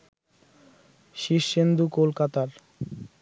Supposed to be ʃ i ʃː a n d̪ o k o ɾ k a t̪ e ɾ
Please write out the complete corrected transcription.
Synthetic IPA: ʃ i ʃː e n d̪ u k o l k a t̪ a ɾ